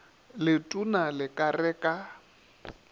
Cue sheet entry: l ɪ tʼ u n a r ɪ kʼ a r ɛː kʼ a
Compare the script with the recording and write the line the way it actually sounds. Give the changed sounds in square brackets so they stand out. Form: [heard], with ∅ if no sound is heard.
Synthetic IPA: l ɪ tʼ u n a [l] ɪ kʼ a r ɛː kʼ a